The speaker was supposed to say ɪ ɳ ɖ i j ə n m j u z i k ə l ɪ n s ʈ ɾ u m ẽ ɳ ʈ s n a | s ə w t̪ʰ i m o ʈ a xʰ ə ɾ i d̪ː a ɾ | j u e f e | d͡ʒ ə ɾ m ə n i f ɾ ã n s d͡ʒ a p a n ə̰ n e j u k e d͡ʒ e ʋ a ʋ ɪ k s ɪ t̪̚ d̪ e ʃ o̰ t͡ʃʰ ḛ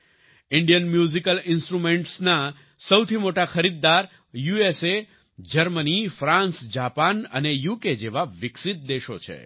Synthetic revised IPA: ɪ ɳ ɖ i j ə n m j u z i k ə l ɪ n s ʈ ɾ u m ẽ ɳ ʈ s n a | s ə w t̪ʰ i m o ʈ a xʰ ə ɾ i d̪ː a ɾ | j u e s e | d͡ʒ ə ɾ m ə n i f ɾ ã n s d͡ʒ a p a n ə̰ n e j u k e d͡ʒ e ʋ a ʋ ɪ k s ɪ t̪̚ d̪ e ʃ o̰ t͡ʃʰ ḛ